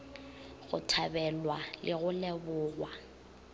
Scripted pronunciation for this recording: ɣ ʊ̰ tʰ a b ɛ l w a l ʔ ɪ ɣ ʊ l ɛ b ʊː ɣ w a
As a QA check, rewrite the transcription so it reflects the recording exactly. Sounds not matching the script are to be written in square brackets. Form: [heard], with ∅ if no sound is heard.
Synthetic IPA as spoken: ɣ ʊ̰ tʰ a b ɛ l w a l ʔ ɪ ɣ ʊ l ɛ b ʊː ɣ w a

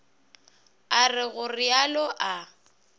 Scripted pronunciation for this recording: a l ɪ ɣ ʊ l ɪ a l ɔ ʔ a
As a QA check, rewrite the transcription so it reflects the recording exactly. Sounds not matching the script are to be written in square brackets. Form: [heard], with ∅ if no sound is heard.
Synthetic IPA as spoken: a [r] ɪ ɣ ʊ [r] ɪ a l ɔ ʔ a

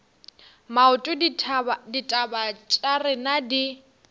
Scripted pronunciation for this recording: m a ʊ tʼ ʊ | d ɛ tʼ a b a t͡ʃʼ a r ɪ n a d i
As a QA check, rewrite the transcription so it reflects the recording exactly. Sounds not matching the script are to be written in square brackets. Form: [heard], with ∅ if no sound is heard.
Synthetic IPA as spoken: m a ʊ tʼ ʊ | d [i] tʼ a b a t͡ʃʼ a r ɪ n a d i

